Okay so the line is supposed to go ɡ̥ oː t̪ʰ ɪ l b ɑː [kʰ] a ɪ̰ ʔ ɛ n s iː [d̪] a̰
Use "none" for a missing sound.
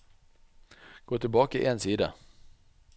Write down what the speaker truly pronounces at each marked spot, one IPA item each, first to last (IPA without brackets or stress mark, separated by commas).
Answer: k, d̪